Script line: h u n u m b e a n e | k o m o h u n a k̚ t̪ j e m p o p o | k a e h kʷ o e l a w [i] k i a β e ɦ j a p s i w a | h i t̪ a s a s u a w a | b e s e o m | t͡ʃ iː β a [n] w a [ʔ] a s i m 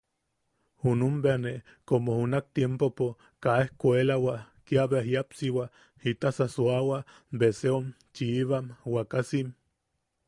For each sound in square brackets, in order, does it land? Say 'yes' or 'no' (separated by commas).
no, no, no